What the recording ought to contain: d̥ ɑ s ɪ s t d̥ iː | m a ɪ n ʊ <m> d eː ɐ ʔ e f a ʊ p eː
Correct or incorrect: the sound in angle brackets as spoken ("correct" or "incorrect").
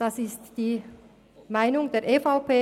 incorrect